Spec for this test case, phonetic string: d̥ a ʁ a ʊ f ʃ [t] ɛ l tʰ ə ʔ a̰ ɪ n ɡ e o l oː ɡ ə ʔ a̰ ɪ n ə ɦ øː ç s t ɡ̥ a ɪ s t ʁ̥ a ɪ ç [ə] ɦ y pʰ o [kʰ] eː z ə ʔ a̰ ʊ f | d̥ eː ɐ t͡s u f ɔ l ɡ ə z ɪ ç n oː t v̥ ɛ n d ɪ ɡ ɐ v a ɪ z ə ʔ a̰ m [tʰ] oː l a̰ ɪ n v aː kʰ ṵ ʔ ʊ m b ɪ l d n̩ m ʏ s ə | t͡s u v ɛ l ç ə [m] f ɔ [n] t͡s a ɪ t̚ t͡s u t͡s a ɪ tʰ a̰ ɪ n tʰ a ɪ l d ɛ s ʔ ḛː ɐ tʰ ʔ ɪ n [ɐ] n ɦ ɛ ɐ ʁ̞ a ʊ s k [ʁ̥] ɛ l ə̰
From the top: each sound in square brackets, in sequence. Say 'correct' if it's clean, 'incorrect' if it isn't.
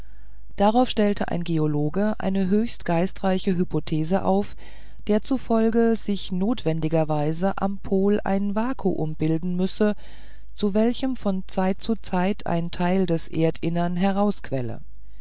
correct, correct, incorrect: tʰ, incorrect: pʰ, correct, correct, correct, incorrect: v̥

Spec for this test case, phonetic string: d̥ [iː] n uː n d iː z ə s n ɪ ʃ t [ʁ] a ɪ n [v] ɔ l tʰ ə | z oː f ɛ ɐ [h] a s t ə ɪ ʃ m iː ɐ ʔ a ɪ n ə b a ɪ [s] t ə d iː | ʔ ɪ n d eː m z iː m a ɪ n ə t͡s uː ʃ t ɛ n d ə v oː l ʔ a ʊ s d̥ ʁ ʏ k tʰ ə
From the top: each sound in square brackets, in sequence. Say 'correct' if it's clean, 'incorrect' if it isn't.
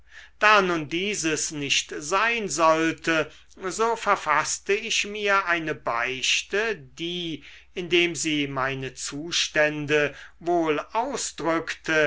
incorrect: aː, incorrect: z, incorrect: z, incorrect: f, incorrect: ʃ

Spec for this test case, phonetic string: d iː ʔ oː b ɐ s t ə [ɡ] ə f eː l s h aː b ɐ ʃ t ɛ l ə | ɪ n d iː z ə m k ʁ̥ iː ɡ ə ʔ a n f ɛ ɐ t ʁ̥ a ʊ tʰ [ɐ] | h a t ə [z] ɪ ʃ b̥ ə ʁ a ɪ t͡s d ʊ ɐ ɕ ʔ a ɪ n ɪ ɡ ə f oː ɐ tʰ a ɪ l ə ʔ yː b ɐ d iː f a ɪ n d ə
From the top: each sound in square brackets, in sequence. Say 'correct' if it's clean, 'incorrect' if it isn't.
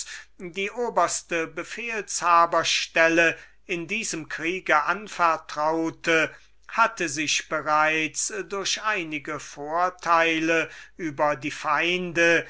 incorrect: b, incorrect: ə, correct

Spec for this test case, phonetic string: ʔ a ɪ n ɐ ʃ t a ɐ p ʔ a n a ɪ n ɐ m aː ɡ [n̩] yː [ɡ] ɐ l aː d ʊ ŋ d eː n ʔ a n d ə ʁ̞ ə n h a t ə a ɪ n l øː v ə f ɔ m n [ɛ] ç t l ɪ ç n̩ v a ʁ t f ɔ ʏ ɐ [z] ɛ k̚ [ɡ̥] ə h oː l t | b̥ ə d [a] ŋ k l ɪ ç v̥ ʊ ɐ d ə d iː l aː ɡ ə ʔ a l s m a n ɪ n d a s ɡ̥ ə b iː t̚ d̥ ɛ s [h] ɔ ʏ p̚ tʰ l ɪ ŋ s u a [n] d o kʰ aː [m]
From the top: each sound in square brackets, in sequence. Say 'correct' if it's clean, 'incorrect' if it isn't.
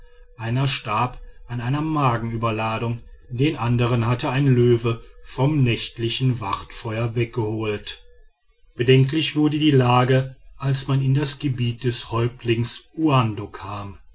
incorrect: ŋ̩, incorrect: b, correct, incorrect: v, correct, incorrect: ɛ, correct, correct, correct

